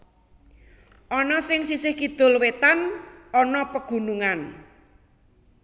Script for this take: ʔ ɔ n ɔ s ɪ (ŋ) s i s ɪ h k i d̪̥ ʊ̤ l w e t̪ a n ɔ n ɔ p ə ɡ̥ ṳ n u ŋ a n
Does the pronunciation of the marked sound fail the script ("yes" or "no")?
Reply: no